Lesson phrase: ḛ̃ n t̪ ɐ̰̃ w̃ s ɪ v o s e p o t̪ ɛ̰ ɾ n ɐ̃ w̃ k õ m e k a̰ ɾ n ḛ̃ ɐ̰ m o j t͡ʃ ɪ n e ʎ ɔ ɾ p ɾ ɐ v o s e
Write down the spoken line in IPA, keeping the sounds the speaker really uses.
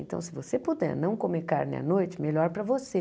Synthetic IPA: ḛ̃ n t̪ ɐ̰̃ w̃ s ɪ v o s e p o d̪ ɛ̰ ɾ n ɐ̃ w̃ k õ m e k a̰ ɾ n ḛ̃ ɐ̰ n o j t͡ʃ ɪ m e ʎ ɔ ɾ p ɾ ɐ v o s e